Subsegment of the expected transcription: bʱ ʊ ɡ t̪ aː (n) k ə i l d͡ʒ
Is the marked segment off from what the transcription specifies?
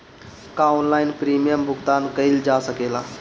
no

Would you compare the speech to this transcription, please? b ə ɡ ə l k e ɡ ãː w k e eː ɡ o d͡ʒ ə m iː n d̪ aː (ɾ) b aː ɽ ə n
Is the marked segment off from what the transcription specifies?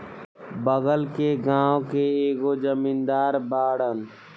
no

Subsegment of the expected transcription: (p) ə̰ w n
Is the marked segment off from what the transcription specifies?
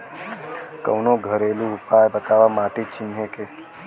yes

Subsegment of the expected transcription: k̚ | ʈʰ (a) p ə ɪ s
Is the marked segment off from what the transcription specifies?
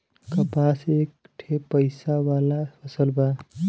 yes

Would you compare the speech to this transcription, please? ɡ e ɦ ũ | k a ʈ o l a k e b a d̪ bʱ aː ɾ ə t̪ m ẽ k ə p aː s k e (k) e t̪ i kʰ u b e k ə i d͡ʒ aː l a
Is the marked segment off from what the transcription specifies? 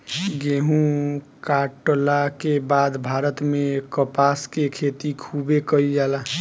yes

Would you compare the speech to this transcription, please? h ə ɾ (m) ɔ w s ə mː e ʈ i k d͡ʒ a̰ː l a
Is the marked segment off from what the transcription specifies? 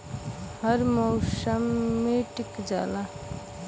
no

